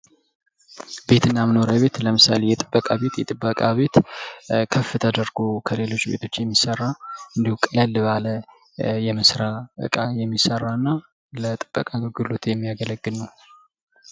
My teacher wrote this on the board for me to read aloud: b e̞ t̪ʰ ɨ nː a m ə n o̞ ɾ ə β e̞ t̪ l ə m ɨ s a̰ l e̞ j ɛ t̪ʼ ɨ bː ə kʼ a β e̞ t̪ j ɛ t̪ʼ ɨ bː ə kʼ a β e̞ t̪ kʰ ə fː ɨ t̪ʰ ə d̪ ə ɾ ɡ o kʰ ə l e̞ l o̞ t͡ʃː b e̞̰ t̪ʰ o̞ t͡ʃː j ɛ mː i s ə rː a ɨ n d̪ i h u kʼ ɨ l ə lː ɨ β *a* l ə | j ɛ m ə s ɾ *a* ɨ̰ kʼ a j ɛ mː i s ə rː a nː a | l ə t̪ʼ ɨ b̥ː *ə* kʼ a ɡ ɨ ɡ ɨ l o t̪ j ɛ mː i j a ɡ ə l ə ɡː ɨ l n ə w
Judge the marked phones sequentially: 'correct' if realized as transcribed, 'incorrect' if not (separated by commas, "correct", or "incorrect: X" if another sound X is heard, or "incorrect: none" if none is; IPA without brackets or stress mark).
correct, correct, correct